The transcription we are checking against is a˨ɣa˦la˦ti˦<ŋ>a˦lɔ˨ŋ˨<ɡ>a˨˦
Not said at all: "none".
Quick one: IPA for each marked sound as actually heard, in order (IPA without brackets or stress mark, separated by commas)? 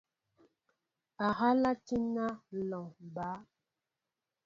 n, b